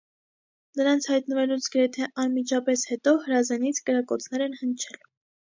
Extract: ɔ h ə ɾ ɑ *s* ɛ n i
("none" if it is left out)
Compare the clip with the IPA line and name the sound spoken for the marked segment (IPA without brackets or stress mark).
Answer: z